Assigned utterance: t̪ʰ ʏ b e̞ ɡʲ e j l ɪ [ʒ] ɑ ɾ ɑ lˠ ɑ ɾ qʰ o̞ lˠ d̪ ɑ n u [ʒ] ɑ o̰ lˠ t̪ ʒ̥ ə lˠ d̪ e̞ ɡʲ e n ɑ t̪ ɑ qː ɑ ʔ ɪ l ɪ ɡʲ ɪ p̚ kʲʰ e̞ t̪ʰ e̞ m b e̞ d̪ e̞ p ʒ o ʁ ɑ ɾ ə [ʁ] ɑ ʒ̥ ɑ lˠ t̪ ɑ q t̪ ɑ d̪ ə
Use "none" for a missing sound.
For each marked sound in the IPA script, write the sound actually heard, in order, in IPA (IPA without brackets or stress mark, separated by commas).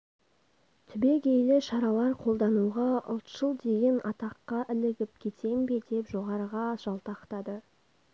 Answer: ʃ, ʁ, ʁ